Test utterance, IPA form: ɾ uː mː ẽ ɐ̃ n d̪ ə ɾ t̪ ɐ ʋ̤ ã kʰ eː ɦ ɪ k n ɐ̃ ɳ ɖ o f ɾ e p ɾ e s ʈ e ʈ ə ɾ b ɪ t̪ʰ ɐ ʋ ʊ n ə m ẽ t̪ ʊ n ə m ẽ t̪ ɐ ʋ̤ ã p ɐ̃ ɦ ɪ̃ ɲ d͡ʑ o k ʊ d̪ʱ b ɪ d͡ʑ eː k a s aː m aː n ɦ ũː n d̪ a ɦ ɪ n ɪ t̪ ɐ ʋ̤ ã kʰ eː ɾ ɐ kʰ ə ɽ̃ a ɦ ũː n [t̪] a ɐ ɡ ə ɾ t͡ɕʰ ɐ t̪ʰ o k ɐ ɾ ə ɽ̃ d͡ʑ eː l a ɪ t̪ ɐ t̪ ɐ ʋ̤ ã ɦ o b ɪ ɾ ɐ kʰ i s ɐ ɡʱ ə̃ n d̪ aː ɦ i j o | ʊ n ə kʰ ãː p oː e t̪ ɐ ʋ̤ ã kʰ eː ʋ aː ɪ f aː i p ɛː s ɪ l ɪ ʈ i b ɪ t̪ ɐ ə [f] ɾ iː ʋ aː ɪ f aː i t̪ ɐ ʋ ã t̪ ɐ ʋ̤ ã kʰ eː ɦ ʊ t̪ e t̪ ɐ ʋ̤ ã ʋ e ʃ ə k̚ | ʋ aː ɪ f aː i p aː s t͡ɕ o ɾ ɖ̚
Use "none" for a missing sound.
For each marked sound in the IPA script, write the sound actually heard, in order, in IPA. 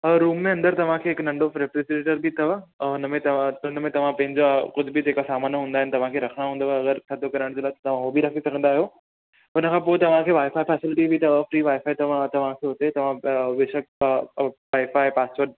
d̪, f

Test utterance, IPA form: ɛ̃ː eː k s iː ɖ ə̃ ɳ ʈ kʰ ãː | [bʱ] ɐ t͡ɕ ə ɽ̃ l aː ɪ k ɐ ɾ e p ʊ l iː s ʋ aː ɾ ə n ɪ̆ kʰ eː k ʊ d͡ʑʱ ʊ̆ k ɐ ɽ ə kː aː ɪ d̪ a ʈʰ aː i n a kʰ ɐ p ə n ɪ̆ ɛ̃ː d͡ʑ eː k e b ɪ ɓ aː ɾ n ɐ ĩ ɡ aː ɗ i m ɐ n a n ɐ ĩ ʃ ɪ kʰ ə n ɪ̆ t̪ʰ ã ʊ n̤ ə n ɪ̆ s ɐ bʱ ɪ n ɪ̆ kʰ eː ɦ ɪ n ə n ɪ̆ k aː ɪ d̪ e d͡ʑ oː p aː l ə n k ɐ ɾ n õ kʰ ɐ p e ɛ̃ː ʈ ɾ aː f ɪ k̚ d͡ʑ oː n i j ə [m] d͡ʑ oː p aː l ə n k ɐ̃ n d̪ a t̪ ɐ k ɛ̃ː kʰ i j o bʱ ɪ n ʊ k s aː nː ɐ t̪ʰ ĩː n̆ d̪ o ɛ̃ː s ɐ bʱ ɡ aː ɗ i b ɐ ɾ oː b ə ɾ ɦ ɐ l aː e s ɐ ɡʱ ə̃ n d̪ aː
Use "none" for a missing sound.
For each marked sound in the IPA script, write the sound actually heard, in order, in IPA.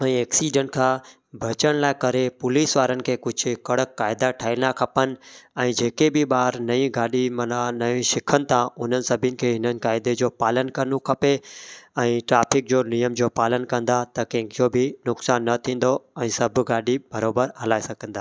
bʱ, m

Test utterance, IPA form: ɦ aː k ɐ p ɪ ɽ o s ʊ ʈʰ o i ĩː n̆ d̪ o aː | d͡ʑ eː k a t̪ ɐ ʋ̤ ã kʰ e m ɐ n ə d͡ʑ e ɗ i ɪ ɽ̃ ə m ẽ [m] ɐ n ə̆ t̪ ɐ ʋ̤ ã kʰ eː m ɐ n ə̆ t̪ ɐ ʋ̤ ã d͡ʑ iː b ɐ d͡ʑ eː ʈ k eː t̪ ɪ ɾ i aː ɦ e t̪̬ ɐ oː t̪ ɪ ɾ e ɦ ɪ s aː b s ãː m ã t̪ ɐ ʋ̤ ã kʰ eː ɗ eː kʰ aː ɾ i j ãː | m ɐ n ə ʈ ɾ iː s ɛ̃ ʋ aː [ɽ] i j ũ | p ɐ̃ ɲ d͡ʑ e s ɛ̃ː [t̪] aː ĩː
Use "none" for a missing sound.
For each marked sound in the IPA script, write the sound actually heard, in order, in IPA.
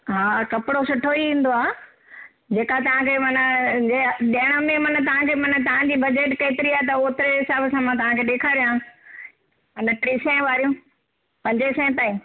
m, ɾ, t̪

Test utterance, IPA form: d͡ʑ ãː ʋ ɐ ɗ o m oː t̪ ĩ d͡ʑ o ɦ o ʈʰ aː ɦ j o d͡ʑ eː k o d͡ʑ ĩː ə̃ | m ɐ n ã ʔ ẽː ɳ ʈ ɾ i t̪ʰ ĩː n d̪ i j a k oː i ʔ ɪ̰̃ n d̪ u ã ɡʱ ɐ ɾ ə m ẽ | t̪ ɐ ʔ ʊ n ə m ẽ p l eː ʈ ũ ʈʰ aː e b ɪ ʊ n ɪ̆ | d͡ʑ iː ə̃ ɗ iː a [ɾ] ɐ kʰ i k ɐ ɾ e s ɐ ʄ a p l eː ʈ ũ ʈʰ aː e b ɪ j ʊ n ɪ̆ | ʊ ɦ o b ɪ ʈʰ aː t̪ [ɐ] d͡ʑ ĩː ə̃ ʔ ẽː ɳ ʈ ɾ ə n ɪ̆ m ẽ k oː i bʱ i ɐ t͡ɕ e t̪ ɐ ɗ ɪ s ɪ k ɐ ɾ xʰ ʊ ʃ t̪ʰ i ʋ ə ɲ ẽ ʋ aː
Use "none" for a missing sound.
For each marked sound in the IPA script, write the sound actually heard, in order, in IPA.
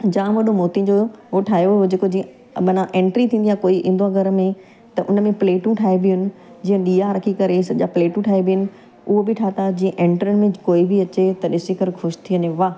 ɾ, a

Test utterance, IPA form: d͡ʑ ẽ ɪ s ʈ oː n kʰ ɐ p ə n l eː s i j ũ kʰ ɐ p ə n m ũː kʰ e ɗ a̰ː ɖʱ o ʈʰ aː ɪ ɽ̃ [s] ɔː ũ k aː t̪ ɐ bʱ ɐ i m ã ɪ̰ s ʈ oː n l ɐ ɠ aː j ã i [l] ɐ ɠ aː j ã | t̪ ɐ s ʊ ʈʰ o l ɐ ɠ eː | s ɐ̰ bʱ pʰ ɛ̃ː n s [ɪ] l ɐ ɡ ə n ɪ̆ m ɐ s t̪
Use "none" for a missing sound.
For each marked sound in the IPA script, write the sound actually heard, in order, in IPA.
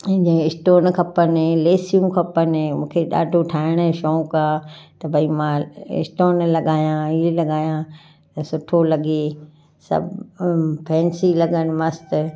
ʃ, l, i

